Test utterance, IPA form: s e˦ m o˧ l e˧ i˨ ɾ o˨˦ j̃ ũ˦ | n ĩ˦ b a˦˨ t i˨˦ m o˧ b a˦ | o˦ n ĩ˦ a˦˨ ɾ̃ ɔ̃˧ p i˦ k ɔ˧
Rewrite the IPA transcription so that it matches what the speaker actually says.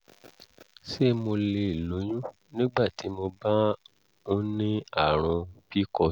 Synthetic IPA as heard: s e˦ m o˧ l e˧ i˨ l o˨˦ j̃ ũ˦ | n ĩ˦ ɡ͡b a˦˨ t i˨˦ m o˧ b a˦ | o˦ n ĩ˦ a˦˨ ɾ̃ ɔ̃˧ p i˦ k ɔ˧